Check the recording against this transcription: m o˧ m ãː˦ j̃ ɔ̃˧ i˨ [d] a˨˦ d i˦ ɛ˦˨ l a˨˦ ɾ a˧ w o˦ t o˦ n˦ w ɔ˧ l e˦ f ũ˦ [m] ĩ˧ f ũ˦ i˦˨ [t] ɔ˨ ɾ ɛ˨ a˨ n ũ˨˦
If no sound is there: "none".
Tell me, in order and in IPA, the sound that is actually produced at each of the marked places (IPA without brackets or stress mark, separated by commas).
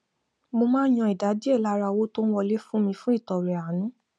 d, m, t